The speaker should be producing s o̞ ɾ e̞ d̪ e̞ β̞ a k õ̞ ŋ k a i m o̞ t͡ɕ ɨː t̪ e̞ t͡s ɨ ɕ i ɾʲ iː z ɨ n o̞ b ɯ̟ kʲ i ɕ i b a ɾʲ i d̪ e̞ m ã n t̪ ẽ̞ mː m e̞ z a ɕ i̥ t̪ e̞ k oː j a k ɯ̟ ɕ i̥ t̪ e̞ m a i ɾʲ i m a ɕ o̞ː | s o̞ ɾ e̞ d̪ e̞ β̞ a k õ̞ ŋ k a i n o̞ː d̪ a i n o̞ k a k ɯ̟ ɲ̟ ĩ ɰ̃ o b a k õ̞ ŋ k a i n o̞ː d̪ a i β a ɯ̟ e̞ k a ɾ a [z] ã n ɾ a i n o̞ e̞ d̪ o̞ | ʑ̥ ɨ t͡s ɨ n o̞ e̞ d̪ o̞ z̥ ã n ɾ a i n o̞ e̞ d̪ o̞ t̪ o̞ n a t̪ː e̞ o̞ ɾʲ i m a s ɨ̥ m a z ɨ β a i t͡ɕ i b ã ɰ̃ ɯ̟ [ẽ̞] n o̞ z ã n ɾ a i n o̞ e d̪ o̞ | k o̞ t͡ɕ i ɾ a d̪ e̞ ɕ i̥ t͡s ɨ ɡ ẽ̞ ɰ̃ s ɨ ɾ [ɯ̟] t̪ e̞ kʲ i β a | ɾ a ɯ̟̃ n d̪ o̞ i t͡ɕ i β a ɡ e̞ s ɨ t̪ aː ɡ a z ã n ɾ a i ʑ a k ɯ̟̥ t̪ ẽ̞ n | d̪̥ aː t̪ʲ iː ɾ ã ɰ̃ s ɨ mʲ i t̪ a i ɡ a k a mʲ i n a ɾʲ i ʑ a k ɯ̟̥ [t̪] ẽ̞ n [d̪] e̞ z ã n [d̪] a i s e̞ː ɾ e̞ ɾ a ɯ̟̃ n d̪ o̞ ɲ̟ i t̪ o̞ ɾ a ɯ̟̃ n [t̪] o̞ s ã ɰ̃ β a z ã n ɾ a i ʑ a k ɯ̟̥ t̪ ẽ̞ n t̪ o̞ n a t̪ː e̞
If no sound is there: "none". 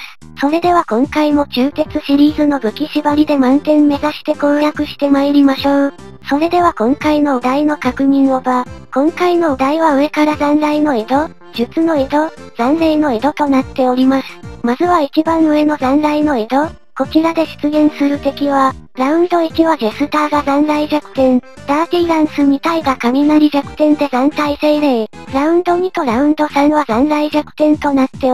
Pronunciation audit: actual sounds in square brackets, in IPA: z, e̞, ɯ̟, t̪, d̪, t̪, d̪

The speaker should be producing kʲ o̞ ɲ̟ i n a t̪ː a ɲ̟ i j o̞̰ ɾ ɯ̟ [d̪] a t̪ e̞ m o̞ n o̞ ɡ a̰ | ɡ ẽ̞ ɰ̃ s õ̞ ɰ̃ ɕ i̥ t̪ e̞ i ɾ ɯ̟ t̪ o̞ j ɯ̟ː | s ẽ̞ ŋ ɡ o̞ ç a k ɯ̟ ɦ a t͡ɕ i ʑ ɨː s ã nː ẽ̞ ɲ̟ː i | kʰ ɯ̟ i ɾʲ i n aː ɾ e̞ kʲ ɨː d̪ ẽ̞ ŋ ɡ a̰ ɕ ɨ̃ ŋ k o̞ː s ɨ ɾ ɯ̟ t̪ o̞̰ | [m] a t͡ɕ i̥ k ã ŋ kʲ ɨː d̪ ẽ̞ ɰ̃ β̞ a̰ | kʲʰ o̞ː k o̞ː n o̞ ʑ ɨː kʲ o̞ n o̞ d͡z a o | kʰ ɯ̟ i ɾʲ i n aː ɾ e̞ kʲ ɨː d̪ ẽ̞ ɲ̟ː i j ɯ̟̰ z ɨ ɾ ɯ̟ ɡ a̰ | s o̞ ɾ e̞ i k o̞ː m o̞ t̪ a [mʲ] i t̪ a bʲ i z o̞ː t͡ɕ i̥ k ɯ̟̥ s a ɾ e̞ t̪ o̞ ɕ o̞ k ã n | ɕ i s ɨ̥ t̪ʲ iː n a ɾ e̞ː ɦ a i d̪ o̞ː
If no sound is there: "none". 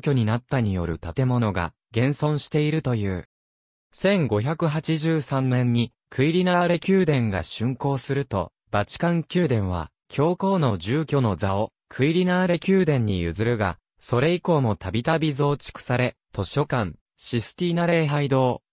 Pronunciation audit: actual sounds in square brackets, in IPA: t̪, b, bʲ

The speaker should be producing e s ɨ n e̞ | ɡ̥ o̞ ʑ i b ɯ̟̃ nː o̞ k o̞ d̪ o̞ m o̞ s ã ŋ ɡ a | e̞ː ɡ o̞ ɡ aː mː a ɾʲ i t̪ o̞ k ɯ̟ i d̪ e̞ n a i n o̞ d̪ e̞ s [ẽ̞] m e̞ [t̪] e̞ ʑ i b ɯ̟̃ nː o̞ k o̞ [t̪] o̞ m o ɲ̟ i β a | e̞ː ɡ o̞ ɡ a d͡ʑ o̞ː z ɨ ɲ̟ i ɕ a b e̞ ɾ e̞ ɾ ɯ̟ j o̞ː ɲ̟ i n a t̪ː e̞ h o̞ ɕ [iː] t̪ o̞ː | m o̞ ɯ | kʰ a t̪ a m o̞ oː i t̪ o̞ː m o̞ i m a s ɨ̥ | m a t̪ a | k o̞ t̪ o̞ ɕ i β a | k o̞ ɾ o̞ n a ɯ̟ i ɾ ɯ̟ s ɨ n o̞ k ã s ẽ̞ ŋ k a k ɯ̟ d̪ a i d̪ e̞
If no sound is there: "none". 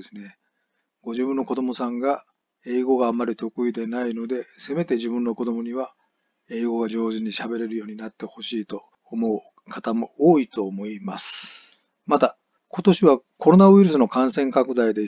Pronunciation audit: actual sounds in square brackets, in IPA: e̞, t̪, d̪, iː

